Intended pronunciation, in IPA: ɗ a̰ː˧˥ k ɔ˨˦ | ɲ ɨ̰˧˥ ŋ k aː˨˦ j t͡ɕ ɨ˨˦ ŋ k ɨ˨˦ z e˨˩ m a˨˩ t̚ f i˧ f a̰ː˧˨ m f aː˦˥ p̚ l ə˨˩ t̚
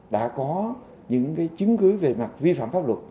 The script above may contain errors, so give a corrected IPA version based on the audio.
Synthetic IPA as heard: ɗ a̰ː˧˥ k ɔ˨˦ | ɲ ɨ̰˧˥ ŋ k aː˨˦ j t͡ɕ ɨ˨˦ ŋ k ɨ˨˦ v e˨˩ m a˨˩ t̚ v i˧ f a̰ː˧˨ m f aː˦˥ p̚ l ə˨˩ t̚